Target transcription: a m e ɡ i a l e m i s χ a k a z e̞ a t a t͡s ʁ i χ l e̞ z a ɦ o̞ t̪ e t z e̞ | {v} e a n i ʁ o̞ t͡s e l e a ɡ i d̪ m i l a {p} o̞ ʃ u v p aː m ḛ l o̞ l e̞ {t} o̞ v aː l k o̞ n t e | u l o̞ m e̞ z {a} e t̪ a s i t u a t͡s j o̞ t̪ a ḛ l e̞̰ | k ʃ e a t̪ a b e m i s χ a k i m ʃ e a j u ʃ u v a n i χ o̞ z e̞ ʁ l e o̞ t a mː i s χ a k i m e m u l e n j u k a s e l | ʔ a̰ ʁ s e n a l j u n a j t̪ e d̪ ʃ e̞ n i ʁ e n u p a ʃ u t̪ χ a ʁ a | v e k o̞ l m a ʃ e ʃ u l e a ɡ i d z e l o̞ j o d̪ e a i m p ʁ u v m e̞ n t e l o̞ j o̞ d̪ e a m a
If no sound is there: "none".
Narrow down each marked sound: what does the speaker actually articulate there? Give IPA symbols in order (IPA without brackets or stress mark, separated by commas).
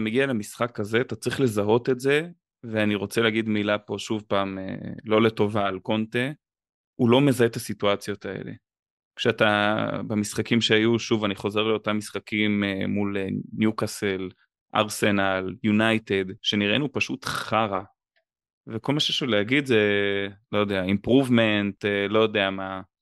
v, p, t, a